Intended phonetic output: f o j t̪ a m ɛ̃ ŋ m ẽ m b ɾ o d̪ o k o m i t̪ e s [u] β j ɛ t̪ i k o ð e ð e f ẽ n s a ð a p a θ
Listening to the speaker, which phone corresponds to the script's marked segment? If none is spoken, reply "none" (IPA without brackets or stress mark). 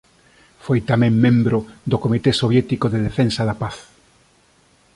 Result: o